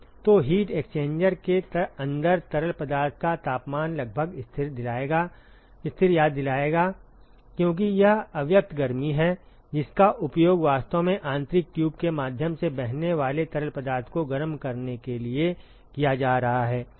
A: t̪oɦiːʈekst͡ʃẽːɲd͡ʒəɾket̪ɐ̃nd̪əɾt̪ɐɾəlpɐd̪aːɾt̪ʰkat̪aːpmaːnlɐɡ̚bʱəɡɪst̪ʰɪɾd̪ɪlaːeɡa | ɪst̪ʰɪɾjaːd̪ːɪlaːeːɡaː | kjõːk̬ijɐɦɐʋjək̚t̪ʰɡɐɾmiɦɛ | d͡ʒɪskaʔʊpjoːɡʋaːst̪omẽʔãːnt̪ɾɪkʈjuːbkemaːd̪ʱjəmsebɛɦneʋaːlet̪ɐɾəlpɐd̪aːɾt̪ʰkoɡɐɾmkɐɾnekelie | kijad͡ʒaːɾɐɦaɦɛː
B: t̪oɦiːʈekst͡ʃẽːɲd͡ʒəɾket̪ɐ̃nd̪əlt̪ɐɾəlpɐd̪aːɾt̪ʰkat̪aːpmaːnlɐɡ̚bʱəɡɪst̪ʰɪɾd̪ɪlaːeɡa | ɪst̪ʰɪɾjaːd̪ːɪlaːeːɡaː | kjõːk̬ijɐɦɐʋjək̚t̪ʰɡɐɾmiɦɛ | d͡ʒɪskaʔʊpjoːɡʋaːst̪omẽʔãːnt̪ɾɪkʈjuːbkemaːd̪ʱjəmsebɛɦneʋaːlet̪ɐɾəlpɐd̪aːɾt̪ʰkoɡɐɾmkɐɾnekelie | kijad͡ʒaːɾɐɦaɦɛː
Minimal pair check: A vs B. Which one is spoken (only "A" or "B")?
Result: A